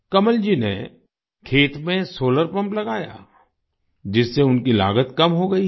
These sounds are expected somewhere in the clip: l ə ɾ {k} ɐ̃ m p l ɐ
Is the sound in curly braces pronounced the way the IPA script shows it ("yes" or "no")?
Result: no